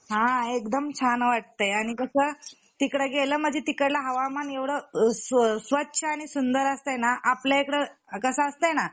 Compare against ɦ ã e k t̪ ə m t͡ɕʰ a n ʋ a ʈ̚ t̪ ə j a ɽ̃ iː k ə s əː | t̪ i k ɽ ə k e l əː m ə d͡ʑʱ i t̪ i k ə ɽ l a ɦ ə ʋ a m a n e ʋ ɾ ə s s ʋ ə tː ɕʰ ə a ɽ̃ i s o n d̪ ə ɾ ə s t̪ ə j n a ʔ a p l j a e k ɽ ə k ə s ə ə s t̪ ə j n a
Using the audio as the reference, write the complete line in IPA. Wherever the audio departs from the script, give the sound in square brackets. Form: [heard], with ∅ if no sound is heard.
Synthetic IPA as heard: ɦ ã e k [d̪] ə m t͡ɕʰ a n ʋ a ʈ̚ t̪ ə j a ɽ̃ [i] k ə s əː | t̪ i k ɽ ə [ɡ] e l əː m ə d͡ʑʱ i t̪ i k ə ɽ l a ɦ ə ʋ a m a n e ʋ [ɽ] ə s s ʋ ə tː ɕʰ ə a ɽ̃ i s [u] n d̪ ə ɾ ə s t̪ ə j n a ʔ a p l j a e k ɽ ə k ə s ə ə s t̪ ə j n a

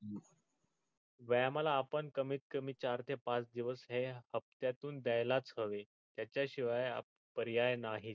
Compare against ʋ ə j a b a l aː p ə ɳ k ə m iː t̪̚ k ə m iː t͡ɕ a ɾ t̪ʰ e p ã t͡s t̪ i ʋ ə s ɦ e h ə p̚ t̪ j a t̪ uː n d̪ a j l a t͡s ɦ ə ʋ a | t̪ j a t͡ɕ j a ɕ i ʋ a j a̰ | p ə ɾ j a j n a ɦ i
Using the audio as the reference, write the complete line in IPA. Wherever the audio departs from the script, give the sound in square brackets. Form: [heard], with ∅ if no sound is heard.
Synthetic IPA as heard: ʋ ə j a [m] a l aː p ə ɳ k ə m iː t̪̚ k ə m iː t͡ɕ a ɾ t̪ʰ e p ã t͡s [d̪] i ʋ ə s ɦ e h ə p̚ t̪ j a t̪ uː n d̪ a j l a t͡s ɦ ə ʋ [e] | t̪ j a t͡ɕ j a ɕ i ʋ a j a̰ | p ə ɾ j a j n a ɦ i

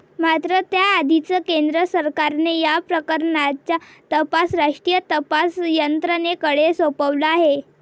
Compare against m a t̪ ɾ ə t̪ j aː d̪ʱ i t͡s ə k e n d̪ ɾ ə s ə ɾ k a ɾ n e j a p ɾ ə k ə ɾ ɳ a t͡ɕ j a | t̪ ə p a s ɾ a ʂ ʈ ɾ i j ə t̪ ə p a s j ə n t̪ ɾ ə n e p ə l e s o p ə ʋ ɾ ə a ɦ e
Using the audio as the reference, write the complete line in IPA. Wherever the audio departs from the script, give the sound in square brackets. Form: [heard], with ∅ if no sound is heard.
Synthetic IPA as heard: m a t̪ ɾ ə t̪ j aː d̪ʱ i t͡s ə k e n d̪ ɾ ə s ə ɾ k a ɾ n e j a p ɾ ə k ə ɾ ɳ a t͡ɕ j a | t̪ ə p a s ɾ a ʂ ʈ ɾ i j ə t̪ ə p a s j ə n t̪ ɾ ə n e [k] ə [ɽ] e s o p ə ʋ [l] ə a ɦ e

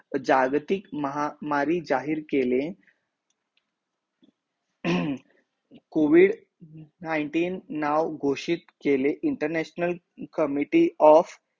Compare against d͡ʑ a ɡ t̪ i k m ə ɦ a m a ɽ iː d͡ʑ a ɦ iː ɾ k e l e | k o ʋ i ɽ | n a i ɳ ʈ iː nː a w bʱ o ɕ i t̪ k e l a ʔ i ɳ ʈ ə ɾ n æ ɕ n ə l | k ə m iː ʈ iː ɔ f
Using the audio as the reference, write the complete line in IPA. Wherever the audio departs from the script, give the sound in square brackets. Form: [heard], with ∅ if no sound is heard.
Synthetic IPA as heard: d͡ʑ a ɡ t̪ i k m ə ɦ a m a [ɾ] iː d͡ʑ a ɦ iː ɾ k e l e | k o ʋ i ɽ | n a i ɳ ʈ iː nː a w [ɡʱ] o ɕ i t̪ k e l [e] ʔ i ɳ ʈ ə ɾ n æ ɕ n ə l | k ə m [i] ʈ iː ɔ f

